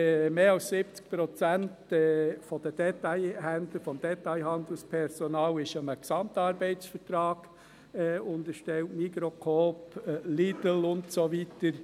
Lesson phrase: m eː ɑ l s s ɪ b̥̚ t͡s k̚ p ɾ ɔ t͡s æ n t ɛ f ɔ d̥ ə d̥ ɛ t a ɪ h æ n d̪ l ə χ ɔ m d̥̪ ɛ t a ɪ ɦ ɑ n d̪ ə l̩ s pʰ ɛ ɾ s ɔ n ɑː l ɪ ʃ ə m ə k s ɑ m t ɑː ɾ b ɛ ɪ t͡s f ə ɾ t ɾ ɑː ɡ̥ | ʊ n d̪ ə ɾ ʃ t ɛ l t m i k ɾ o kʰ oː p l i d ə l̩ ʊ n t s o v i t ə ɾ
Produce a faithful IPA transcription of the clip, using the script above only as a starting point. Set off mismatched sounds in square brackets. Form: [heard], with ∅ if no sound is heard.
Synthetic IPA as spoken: m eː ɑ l s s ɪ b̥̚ t͡s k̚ p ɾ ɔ t͡s æ n t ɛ f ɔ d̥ ə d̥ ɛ t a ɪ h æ n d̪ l ə [f] ɔ m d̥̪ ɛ t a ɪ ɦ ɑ n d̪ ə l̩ s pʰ ɛ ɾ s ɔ n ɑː l ɪ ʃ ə m ə k s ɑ m t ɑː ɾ b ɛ ɪ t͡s f ə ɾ t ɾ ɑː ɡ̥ | ʊ n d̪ ə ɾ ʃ t ɛ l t m i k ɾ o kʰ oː p l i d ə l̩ ʊ n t s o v i t ə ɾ